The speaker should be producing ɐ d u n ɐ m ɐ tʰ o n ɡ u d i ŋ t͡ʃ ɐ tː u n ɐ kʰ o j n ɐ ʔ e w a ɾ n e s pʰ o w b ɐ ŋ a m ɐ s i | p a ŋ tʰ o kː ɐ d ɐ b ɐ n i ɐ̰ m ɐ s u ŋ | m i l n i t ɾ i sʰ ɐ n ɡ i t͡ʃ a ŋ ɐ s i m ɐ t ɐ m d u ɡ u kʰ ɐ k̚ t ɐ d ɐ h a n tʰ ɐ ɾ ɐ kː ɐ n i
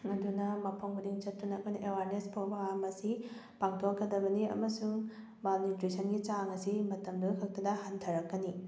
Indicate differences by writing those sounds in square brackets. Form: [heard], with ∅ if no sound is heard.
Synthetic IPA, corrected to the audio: ɐ d u n ɐ m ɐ [pʰ] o [ŋ] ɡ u d i ŋ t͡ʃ ɐ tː u n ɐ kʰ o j n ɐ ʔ e w a ɾ n e s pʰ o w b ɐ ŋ a m ɐ s i | p a ŋ tʰ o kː ɐ d ɐ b ɐ n i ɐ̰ m ɐ s u ŋ | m [a] l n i t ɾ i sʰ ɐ n ɡ i t͡ʃ a ŋ ɐ s i m ɐ t ɐ m d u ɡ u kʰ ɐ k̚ t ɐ d ɐ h a n tʰ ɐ ɾ ɐ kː ɐ n i

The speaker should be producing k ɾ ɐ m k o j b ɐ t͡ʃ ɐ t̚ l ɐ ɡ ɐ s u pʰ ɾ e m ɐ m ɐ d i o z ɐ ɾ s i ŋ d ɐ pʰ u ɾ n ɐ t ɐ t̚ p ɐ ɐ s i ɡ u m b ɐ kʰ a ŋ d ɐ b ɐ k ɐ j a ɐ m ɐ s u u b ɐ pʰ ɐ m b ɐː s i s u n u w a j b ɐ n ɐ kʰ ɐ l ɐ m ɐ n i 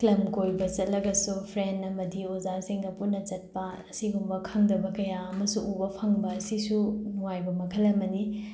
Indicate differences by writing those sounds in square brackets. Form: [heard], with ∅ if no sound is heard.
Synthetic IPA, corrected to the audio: k [l] ɐ m k o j b ɐ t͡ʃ ɐ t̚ l ɐ ɡ ɐ s u pʰ ɾ e [n] ɐ m ɐ d i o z [a] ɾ s i ŋ d ɐ [p] u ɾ n ɐ [t͡ʃ] ɐ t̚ p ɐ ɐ s i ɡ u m b ɐ kʰ a ŋ d ɐ b ɐ k ɐ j a ɐ m ɐ s u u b ɐ pʰ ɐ [ŋ] b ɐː s i s u n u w a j b ɐ [m] ɐ kʰ ɐ l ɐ m ɐ n i

